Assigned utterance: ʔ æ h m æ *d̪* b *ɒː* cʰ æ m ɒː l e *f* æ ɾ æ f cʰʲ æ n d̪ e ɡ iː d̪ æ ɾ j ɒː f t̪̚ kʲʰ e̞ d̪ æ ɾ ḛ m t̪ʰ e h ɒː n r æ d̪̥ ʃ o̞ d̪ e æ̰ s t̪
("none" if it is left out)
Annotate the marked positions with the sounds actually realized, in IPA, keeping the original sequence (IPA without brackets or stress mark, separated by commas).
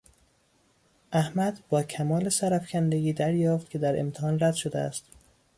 d̪, ɒː, s